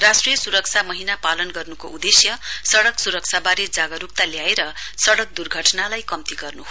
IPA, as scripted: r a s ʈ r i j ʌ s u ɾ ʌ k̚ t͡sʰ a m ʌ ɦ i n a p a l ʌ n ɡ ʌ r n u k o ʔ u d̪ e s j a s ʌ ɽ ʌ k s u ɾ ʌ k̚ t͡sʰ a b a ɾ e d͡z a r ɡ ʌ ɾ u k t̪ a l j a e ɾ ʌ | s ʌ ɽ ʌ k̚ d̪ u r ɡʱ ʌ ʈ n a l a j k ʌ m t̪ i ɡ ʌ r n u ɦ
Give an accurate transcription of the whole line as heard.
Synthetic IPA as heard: r a s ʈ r i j ʌ s u ɾ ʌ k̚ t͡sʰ a m ʌ ɦ i n a p a l ʌ n ɡ ʌ r n u k o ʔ u d̪ e s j ʌ s ʌ ɽ ʌ k s u ɾ ʌ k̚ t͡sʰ a b a ɾ e d͡z a ɡ ʌ ɾ u k t̪ a l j a e ɾ ʌ | s ʌ ɽ ʌ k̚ d̪ u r ɡʱ ʌ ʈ n a l a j k ʌ m t̪ i ɡ ʌ r n u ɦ

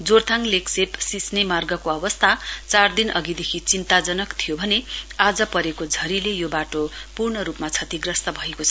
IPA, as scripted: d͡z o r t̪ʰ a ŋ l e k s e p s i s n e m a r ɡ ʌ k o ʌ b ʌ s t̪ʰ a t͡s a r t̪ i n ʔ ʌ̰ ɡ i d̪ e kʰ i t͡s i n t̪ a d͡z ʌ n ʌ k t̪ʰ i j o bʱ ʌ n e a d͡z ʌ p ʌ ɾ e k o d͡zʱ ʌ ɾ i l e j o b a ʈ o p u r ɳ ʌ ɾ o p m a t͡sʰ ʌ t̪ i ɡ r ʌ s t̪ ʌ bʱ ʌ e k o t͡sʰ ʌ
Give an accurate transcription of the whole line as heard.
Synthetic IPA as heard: d͡z o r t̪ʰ a ŋ l e k s e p s i s n e m a r ɡ ʌ k o ʌ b ʌ s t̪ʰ a t͡s a r d̪ i n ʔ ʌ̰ ɡ i d̪ e kʰ i t͡s i n t̪ a d͡z ʌ n ʌ k t̪ʰ i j o bʱ ʌ n e a d͡z ʌ p ʌ ɾ e k o d͡zʱ ʌ ɾ i l e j o b a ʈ o p u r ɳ ʌ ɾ u p m a t͡sʰ ʌ t̪ i ɡ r ʌ s t̪ ʌ bʱ ʌ e k o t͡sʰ ʌ

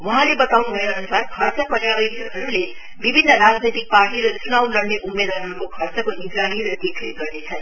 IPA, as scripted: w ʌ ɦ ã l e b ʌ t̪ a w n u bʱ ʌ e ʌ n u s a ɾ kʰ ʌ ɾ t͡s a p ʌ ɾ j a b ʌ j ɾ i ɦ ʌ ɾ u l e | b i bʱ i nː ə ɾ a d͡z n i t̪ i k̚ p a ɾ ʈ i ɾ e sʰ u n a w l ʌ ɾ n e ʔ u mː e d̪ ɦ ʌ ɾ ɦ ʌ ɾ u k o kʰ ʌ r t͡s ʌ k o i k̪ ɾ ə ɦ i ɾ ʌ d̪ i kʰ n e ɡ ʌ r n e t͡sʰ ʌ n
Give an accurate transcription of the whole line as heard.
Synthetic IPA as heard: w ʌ ɦ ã l e b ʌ t̪ a w n u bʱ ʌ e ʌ n u s a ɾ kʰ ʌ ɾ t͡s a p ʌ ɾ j a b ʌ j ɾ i ɦ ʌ ɾ u l e | b i bʱ i nː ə ɾ a d͡z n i t̪ i k̚ p a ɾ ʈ i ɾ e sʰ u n a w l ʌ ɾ n e ʔ u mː e d̪ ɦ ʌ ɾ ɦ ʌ ɾ u k o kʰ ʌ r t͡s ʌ k o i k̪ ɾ a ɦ i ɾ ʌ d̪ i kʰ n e ɡ ʌ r n e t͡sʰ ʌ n

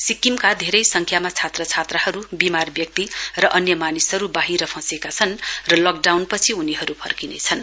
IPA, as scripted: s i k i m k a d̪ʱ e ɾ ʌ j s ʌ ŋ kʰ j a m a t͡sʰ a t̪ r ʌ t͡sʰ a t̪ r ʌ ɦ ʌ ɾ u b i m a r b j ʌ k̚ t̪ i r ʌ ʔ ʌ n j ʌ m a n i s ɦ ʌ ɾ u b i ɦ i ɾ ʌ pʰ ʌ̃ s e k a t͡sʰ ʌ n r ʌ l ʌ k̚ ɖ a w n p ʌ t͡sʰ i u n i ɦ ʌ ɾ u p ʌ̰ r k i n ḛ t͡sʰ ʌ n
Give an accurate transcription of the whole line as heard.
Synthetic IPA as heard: s i k i m k a d̪ʱ e ɾ ʌ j s ʌ ŋ kʰ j a m a t͡sʰ a t̪ r ʌ t͡sʰ a t̪ r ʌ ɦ ʌ ɾ u b i m a r b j ʌ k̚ t̪ i r ʌ ʔ ʌ n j ʌ m a n i s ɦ ʌ ɾ u b a ɦ i ɾ ʌ pʰ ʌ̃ s e k a t͡sʰ ʌ n r ʌ l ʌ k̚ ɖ a w n p ʌ t͡sʰ i u n i ɦ ʌ ɾ u pʰ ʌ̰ r k i n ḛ t͡sʰ ʌ n

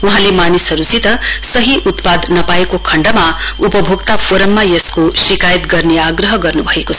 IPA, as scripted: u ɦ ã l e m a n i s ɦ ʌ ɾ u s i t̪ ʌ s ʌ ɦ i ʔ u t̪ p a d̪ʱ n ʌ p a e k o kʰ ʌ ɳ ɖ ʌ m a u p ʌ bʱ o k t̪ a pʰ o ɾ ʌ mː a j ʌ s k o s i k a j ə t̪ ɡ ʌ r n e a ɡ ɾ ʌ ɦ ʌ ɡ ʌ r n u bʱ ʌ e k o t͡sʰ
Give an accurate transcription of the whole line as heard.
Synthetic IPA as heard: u ɦ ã l e m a n i s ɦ ʌ ɾ u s i t̪ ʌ s ʌ ɦ i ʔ u t̪ p a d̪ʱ n ʌ p a e k o kʰ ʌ ɳ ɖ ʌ m a u p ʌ bʱ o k t̪ a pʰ o ɾ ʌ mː a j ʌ s k o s i k a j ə t̪ ɡ ʌ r n e a ɡ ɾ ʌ ɦ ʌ ɡ ʌ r n u bʱ ʌ e k o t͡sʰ

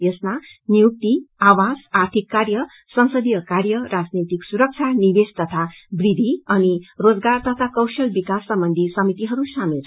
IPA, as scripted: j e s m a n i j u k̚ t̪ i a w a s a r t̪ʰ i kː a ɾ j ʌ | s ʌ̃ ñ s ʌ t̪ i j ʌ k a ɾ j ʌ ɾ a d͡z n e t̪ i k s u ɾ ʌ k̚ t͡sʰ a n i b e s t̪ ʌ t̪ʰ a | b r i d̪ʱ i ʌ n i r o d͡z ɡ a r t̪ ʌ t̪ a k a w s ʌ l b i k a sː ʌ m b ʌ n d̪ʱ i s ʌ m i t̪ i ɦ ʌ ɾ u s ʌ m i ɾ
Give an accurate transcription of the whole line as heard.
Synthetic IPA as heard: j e s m a n i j u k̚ t̪ i a w a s a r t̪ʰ i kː a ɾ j ʌ | s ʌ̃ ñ s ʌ d̪ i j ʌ k a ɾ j ʌ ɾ a d͡z n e t̪ i k s u ɾ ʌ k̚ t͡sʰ a n i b e s t̪ ʌ t̪ʰ a | b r i d̪ʱ i ʌ n i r o d͡z ɡ a r t̪ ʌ t̪ʰ a k ʌ w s ʌ l b i k a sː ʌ m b ʌ n d̪ʱ i s ʌ m i t̪ i ɦ ʌ ɾ u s a m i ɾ

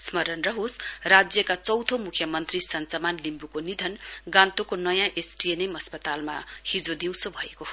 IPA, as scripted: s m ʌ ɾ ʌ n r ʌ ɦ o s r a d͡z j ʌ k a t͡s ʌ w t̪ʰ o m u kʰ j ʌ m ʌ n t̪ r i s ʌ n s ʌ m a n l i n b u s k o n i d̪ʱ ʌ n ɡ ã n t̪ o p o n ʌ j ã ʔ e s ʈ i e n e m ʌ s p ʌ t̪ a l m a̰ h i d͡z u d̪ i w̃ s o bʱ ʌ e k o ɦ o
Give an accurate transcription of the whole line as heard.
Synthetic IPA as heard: s m ʌ ɾ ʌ n r ʌ ɦ o s r a d͡z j ʌ k a t͡s ʌ w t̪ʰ o m u kʰ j ʌ m ʌ n t̪ r i s ʌ n t͡s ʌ m a n l i m b u k o n i d̪ʱ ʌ n ɡ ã n t̪ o k o n ʌ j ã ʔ e s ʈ i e n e m ʌ s p ʌ t̪ a l m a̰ h i d͡z o d̪ i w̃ s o bʱ ʌ e k o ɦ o

